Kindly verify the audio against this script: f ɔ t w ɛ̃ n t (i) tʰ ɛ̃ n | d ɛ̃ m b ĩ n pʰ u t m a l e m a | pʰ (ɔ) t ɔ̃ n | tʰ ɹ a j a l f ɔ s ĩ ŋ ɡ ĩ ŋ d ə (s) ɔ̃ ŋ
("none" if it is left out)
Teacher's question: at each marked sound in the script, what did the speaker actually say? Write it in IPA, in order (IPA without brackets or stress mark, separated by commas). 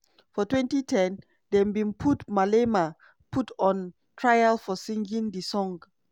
i, u, s